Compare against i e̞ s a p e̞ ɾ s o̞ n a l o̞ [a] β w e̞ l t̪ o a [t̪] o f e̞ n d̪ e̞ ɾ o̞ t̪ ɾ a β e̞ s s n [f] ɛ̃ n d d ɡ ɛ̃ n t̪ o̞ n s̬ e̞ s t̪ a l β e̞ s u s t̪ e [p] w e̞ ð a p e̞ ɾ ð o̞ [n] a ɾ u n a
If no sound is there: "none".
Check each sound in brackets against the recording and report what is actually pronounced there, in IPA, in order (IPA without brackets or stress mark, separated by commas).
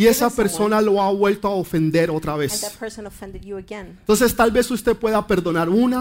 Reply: a, none, f, p, n